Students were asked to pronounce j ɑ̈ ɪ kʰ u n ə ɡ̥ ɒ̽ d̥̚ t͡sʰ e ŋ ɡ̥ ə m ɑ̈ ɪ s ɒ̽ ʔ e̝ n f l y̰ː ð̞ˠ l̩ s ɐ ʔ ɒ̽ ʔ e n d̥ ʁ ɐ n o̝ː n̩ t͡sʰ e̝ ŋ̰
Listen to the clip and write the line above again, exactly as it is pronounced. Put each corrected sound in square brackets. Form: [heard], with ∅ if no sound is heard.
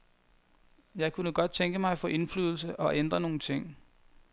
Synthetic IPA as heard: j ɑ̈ ɪ kʰ u n ə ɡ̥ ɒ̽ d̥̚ t͡sʰ e ŋ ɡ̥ ə m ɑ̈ ɪ [f] ɒ̽ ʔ e̝ n f l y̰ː ð̞ˠ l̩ s [ə] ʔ ɒ̽ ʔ e n d̥ ʁ ɐ n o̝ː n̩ t͡sʰ e̝ ŋ̰